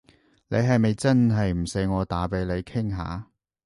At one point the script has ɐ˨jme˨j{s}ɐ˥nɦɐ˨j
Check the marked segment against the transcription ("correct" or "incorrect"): incorrect